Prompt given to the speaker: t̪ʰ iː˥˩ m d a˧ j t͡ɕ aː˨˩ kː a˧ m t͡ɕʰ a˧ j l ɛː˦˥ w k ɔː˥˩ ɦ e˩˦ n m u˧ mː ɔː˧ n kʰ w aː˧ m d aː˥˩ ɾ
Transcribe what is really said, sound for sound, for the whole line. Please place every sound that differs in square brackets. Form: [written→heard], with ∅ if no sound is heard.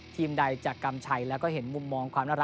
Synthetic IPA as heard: t̪ʰ [iː˥˩→iː˧] m d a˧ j t͡ɕ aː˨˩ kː a˧ m t͡ɕʰ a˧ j l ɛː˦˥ w k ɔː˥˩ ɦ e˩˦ n m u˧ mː ɔː˧ [n→ŋ] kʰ w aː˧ m [d→n] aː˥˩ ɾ